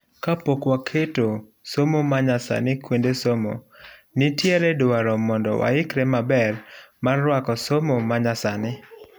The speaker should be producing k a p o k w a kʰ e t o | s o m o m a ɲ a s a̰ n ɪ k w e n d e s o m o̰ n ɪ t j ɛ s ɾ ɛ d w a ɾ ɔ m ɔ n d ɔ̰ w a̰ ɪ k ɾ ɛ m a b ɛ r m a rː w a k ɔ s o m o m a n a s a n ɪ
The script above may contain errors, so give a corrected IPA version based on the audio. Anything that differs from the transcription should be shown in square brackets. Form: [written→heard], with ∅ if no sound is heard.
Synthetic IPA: k a p o k w a kʰ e t o | s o m o m a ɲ a s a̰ n ɪ k w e n d e s o m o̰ n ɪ t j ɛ [s→∅] ɾ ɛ d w a ɾ ɔ m ɔ n d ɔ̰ w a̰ ɪ k ɾ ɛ m a b ɛ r m a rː w a k ɔ s o m o m a [n→ɲ] a s a n ɪ